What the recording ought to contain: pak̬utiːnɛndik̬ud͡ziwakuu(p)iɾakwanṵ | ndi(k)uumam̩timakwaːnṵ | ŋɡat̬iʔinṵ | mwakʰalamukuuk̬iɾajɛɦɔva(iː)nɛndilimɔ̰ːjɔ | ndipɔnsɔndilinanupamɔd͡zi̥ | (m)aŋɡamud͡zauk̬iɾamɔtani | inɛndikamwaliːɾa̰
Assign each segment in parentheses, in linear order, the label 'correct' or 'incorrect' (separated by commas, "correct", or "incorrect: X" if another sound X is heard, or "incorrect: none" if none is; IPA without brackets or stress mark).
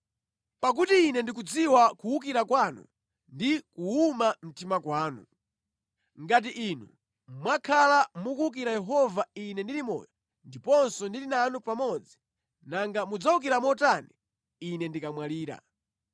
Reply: incorrect: k, correct, incorrect: i, incorrect: n